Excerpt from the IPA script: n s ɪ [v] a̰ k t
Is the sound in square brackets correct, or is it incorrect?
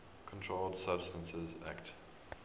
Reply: incorrect